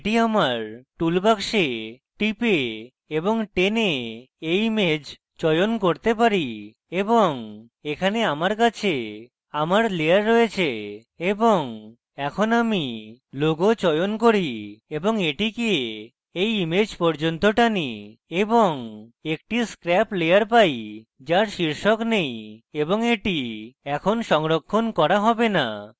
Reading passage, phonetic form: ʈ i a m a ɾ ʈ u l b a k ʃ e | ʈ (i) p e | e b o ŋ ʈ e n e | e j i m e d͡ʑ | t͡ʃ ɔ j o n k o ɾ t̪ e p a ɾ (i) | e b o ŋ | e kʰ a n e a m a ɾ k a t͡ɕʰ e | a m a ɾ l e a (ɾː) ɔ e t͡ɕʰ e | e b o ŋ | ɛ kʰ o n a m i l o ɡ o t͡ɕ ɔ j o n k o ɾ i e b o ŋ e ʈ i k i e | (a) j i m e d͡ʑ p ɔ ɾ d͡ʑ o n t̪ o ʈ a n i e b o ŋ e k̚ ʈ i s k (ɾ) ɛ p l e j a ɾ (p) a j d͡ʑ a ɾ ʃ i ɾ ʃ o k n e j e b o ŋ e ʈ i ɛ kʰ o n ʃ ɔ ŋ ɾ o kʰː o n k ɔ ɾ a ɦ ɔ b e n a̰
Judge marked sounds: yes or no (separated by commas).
yes, yes, yes, no, yes, yes